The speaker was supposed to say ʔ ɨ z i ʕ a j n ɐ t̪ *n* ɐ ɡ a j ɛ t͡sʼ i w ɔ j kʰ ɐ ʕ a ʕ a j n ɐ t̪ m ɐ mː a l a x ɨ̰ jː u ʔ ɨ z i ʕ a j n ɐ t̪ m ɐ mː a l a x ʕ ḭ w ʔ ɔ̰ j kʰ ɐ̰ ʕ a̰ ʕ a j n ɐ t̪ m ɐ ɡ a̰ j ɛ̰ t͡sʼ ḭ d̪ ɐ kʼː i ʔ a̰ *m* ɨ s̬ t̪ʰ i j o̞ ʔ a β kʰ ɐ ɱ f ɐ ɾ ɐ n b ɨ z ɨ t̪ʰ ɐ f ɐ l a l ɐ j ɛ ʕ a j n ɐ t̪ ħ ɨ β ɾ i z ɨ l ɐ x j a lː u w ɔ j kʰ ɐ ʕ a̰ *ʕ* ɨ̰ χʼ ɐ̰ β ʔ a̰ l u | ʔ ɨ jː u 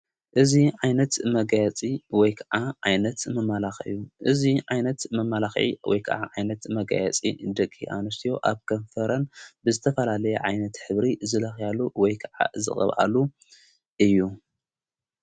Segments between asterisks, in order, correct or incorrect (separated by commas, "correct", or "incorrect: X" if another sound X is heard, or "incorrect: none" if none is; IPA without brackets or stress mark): incorrect: m, incorrect: n, incorrect: z